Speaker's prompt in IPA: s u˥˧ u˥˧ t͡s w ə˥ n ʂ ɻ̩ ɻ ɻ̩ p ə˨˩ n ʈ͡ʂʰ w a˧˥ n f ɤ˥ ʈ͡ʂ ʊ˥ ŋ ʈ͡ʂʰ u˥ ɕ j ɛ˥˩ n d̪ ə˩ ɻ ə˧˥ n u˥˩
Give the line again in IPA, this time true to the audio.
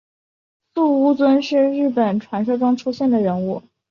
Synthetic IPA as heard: s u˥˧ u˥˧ t͡s w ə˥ n ʂ ɻ̩ ɻ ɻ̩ p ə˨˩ n ʈ͡ʂʰ w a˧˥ n ʂ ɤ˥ ʈ͡ʂ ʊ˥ ŋ ʈ͡ʂʰ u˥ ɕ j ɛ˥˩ n d̪ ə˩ ɻ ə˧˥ n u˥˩